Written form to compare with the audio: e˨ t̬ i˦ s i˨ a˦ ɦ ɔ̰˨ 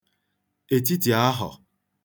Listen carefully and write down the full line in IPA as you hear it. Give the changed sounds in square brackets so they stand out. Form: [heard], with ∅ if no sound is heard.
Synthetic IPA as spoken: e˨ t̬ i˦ [t] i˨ a˦ ɦ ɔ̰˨